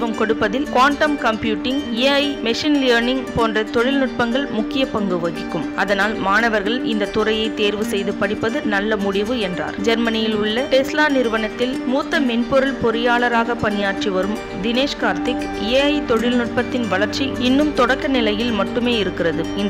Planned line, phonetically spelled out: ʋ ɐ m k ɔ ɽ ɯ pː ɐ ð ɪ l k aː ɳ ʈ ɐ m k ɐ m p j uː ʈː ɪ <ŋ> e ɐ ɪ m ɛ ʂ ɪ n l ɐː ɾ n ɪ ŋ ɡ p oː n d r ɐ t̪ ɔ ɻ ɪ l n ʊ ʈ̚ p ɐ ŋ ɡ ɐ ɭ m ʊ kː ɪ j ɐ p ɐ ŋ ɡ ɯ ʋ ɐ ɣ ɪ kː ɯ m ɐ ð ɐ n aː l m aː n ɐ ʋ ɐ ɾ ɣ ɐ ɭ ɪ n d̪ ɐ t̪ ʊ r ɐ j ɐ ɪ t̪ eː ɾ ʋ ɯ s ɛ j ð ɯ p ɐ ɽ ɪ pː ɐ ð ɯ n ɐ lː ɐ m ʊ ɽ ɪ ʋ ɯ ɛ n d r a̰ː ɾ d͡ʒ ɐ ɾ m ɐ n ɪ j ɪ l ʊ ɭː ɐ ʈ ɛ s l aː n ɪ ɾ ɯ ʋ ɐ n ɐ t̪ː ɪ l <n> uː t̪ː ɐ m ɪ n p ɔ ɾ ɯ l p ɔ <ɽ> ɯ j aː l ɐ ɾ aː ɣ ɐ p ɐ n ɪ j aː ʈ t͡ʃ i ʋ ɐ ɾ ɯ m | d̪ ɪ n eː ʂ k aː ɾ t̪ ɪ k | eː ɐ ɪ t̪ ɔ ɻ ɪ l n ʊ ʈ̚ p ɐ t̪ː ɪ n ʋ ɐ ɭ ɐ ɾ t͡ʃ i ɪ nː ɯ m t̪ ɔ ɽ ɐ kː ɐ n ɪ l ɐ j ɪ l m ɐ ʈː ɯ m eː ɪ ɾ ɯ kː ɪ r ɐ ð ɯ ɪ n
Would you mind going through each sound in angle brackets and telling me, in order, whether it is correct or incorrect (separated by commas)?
correct, incorrect, incorrect